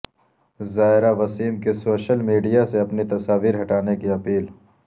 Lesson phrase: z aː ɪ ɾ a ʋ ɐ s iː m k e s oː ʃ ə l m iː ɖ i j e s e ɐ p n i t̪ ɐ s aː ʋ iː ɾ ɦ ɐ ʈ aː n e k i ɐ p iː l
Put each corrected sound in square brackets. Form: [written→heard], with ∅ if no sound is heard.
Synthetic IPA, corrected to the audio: z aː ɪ ɾ a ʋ ɐ s iː m k e s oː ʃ ə l m iː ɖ i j [e→a] s e ɐ p n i t̪ ɐ s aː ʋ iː ɾ ɦ ɐ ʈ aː n e k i ɐ p iː l

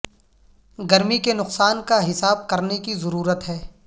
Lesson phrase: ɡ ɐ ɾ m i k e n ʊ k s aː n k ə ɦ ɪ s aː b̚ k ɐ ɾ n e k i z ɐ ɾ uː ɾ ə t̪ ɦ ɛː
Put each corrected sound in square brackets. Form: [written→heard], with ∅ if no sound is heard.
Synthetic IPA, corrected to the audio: ɡ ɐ ɾ m i k e n ʊ [k→q] s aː n k [ə→a] ɦ ɪ s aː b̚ k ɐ ɾ n e k i z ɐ ɾ uː ɾ ə t̪ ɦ ɛː

